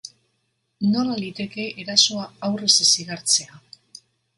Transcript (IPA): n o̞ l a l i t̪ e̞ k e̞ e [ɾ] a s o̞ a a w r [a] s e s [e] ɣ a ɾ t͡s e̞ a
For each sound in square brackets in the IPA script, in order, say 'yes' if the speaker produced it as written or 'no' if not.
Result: yes, no, no

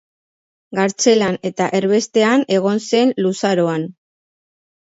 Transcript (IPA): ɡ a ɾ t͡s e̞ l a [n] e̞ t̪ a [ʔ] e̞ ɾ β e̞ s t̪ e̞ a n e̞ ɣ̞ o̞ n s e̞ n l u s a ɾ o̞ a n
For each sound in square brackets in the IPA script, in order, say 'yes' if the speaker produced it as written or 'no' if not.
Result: yes, yes

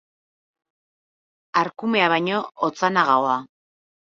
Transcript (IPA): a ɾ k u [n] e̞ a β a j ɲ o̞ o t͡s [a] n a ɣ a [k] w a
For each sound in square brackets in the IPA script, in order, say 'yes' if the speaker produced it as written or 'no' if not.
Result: no, yes, no

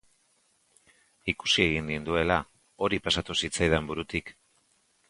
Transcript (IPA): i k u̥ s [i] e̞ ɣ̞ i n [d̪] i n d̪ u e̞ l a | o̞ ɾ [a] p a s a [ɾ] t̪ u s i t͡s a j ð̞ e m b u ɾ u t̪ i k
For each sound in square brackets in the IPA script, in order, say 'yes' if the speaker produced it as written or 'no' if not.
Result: yes, yes, no, no

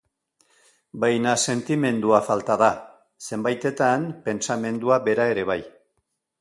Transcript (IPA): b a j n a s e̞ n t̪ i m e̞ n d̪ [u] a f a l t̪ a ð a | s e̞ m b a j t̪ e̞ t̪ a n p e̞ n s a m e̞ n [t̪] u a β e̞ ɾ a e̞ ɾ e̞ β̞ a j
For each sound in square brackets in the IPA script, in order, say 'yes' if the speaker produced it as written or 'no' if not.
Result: yes, no

